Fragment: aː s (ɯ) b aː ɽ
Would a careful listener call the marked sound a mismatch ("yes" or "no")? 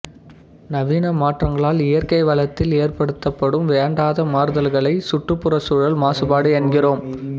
no